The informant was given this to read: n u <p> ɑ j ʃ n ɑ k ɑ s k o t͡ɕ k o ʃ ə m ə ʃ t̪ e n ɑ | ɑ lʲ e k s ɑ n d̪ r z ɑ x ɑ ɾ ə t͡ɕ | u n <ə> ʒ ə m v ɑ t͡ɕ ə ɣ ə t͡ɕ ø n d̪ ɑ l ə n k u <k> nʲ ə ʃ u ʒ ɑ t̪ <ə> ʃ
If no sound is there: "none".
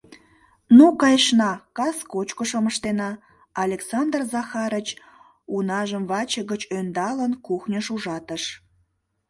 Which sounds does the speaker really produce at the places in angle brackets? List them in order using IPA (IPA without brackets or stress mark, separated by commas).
k, ɑ, x, ə